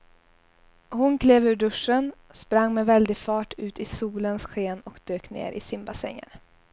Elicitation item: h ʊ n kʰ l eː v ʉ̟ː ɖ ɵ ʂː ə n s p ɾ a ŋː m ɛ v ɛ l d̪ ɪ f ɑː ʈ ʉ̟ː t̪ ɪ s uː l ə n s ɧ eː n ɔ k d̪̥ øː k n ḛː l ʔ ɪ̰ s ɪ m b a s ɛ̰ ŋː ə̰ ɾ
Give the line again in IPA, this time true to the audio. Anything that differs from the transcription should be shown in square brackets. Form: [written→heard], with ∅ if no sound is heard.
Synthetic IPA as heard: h ʊ n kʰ l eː v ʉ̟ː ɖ ɵ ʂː ə n s p ɾ a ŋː m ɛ v ɛ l d̪ ɪ f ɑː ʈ ʉ̟ː t̪ ɪ s uː l ə n s ɧ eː n ɔ k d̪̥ øː k n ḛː [l→ɾ] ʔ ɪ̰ s ɪ m b a s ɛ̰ ŋː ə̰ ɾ

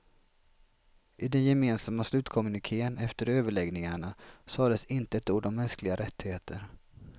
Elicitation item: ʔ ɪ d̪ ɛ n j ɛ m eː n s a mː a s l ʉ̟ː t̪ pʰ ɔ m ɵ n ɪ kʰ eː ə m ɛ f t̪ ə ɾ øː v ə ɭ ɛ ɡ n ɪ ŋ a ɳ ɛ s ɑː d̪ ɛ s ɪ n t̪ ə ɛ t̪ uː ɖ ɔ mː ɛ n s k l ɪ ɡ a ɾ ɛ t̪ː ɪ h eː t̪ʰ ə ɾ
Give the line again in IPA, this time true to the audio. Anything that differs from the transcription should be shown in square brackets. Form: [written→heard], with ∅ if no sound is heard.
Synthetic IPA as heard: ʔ ɪ d̪ ɛ n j ɛ m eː n s a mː a s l ʉ̟ː t̪ [pʰ→kʰ] ɔ m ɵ n ɪ kʰ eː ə [m→n] ɛ f t̪ ə ɾ øː v ə ɭ ɛ ɡ n ɪ ŋ a ɳ [ɛ→a] s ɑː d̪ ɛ s ɪ n t̪ ə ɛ t̪ uː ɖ ɔ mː ɛ n s k l ɪ ɡ a ɾ ɛ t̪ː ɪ h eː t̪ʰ ə ɾ

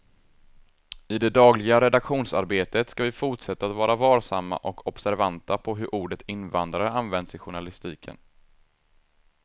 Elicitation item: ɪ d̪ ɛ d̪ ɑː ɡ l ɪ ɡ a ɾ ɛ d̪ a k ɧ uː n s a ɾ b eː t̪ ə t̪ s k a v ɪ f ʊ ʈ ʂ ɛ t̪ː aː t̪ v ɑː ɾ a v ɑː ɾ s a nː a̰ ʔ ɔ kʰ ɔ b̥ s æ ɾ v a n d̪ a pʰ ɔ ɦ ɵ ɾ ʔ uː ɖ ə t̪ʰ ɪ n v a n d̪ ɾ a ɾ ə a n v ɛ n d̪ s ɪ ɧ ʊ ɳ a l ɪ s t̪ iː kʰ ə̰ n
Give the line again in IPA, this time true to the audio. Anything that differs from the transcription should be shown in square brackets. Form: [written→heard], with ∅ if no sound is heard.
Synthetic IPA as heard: ɪ d̪ ɛ d̪ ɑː ɡ l ɪ ɡ a ɾ ɛ d̪ a k ɧ uː n s a ɾ b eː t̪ ə t̪ s k a v ɪ f ʊ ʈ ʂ ɛ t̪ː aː t̪ v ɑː ɾ a v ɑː ɾ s a [nː→mː] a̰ ʔ ɔ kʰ ɔ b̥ s æ ɾ v a n [d̪→t̪] a pʰ ɔ ɦ ɵ ɾ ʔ uː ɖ ə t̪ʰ ɪ n v a n d̪ ɾ a ɾ ə a n v ɛ n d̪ s ɪ ɧ ʊ ɳ a l ɪ s t̪ iː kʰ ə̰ n

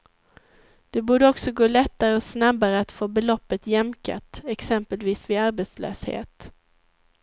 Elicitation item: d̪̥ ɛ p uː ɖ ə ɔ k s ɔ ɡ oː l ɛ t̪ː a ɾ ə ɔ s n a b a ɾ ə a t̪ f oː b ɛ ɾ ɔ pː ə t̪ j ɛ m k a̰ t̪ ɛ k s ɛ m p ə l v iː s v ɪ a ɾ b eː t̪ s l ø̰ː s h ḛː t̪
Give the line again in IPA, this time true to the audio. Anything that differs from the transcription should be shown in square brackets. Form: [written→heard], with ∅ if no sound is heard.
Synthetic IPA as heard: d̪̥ ɛ [p→b] uː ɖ ə ɔ k s ɔ ɡ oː l ɛ t̪ː a ɾ ə ɔ s n a b a ɾ ə a t̪ f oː b ɛ [ɾ→l] ɔ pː ə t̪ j ɛ m k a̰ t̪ ɛ k s ɛ m p ə l v iː s v ɪ a ɾ b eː t̪ s l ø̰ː s h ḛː t̪

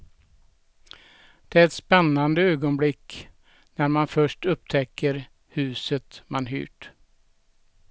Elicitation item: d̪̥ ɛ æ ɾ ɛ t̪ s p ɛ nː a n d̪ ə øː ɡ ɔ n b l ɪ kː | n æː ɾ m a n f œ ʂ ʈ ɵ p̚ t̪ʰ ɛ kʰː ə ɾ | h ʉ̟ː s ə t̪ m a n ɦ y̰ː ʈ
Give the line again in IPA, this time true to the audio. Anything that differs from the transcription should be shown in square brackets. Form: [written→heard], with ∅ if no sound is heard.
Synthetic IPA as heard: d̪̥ ɛ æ ɾ ɛ t̪ s p ɛ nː a n d̪ ə øː ɡ ɔ n b l ɪ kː | n [æː→æ] ɾ m a n f œ ʂ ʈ ɵ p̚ t̪ʰ ɛ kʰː ə ɾ | h ʉ̟ː s ə t̪ m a n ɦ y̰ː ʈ

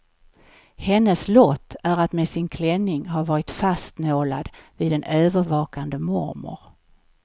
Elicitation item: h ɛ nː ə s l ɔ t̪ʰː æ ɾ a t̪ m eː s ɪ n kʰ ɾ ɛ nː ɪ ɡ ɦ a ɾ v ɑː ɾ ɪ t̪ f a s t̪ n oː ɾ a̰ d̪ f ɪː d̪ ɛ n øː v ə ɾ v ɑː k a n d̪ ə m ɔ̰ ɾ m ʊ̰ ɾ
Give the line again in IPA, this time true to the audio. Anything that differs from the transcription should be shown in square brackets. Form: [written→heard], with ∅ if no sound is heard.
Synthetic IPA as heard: h ɛ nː ə s l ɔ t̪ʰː æ ɾ a t̪ m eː s ɪ n kʰ [ɾ→l] ɛ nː ɪ [ɡ→ŋ] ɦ a ɾ v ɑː ɾ ɪ t̪ f a s t̪ n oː [ɾ→l] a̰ d̪ [f→v] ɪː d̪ ɛ n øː v ə ɾ v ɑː k a n d̪ ə m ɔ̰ ɾ m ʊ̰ ɾ

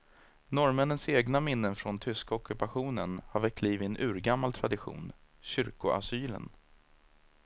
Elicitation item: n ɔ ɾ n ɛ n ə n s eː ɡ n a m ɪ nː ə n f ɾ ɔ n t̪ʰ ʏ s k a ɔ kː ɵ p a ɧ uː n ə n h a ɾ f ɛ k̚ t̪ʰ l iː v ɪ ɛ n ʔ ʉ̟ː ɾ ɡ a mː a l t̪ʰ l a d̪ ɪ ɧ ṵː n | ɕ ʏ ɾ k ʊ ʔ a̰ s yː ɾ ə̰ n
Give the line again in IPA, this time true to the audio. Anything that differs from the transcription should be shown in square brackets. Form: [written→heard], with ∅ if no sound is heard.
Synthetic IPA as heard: n ɔ ɾ [n→m] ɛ n ə n s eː ɡ n a m ɪ nː ə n f ɾ ɔ n t̪ʰ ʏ s k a ɔ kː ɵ p a ɧ uː n ə n h a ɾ [f→v] ɛ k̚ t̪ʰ l iː v ɪ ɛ n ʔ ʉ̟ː ɾ ɡ a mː a l t̪ʰ [l→ɾ] a d̪ ɪ ɧ ṵː n | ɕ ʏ ɾ k ʊ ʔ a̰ s yː [ɾ→l] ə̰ n

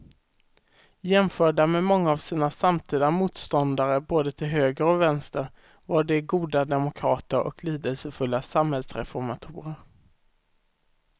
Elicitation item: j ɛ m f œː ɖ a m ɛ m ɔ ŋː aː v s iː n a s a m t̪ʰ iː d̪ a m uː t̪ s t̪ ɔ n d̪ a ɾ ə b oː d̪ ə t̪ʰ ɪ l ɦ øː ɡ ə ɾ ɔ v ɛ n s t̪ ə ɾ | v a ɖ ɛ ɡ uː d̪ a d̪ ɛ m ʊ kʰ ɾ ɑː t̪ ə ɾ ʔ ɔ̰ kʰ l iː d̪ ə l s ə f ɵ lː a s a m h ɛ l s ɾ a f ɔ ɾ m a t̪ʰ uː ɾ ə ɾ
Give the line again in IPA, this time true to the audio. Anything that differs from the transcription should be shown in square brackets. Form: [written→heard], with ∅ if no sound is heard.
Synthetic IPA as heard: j ɛ m f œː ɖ a m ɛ m ɔ ŋː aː v s iː n a s a m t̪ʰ iː d̪ a m uː t̪ s t̪ ɔ n d̪ a ɾ ə b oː d̪ ə t̪ʰ ɪ l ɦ øː ɡ ə ɾ ɔ v ɛ n s t̪ ə ɾ | v a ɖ ɛ ɡ uː d̪ a d̪ ɛ m ʊ kʰ ɾ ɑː t̪ ə ɾ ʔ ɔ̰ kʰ l iː d̪ ə l s ə f ɵ lː a s a m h ɛ l s ɾ [a→ɛ] f ɔ ɾ m a t̪ʰ uː ɾ ə ɾ

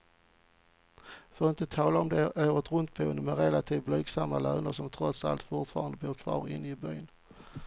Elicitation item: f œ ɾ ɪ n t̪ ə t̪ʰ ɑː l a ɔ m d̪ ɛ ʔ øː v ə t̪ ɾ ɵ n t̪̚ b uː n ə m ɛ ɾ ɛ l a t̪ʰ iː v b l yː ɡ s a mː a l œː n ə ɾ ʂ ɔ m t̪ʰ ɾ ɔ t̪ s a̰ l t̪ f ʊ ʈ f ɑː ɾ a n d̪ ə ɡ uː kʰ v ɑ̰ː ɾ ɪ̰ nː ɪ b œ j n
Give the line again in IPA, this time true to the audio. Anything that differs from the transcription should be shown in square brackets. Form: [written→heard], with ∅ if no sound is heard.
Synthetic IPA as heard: f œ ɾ ɪ n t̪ ə t̪ʰ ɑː l a ɔ m d̪ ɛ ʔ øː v ə t̪ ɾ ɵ n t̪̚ b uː n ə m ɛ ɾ ɛ l a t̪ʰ iː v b l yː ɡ s a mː a l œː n ə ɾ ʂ ɔ m t̪ʰ ɾ ɔ t̪ s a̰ l t̪ f ʊ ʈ f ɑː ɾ a n d̪ ə [ɡ→b] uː kʰ v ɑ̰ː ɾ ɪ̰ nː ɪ b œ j n

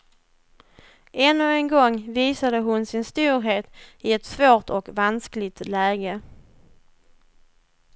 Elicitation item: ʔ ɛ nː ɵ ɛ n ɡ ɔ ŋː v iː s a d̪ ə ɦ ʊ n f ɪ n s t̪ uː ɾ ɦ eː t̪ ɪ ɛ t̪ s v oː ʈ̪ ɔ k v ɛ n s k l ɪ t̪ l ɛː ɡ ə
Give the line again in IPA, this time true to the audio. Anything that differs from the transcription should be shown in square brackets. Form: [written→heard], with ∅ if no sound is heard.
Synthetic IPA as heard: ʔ ɛ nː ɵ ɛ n ɡ ɔ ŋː v iː s a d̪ ə ɦ ʊ n [f→s] ɪ n s t̪ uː ɾ ɦ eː t̪ ɪ ɛ t̪ s v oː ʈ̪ ɔ k v [ɛ→a] n s k l ɪ t̪ l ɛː ɡ ə

